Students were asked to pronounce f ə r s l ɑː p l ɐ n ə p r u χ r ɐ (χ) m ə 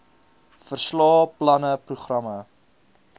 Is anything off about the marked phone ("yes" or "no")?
yes